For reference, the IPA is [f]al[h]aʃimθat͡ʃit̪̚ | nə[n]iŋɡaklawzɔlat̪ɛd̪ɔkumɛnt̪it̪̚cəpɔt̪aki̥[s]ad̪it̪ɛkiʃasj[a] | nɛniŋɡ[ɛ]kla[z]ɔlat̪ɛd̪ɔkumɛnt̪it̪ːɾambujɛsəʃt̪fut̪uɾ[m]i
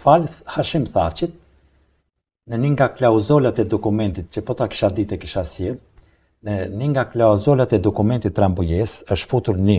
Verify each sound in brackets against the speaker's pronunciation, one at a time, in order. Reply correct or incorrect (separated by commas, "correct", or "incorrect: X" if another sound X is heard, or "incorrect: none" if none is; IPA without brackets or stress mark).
correct, correct, correct, incorrect: ʃ, incorrect: ɛ, incorrect: a, correct, incorrect: n